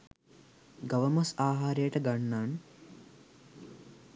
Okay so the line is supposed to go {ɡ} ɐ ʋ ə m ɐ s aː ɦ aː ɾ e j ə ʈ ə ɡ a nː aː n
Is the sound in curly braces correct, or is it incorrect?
correct